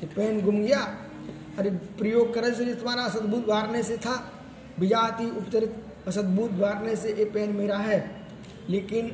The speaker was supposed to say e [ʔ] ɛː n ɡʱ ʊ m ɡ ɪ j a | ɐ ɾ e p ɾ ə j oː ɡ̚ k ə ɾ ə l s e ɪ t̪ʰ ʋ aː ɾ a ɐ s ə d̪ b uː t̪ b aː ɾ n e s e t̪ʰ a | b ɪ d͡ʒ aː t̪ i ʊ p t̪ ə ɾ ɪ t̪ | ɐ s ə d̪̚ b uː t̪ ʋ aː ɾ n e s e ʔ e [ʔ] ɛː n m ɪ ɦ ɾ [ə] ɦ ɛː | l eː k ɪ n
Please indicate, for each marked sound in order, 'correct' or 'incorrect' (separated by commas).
incorrect, incorrect, incorrect